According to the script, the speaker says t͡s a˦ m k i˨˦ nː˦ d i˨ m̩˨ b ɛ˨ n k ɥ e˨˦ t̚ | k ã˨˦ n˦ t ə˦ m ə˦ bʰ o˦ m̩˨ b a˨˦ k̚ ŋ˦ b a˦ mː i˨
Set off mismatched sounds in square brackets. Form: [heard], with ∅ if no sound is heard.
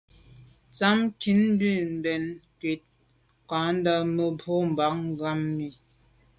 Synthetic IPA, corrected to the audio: t͡s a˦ m k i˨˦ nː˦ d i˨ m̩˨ b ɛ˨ n k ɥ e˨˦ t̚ | k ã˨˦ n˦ [d] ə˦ m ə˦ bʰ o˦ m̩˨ b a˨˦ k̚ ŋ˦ [ɡ] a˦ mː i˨